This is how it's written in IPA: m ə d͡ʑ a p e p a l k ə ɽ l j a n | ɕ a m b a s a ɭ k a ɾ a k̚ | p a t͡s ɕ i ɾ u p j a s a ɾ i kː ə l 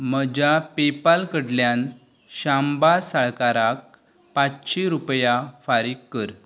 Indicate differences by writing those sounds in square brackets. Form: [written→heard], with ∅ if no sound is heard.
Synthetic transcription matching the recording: m ə d͡ʑ a p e p a l k ə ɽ l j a n | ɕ a m b a s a ɭ k a ɾ a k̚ | p a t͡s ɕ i ɾ u p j a [s→f] a ɾ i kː ə [l→ɾ]